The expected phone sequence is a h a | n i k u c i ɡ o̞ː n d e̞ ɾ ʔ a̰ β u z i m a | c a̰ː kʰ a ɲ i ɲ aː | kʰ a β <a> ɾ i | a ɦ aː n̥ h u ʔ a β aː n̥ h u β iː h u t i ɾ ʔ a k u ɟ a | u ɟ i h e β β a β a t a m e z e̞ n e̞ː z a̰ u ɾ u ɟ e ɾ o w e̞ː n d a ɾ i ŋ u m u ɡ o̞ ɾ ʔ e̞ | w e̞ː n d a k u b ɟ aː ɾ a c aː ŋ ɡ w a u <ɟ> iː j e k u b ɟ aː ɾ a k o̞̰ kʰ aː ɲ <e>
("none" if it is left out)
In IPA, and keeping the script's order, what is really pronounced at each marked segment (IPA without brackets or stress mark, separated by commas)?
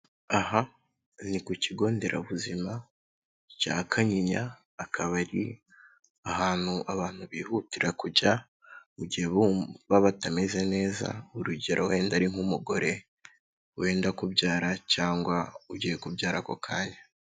a, ɟ, a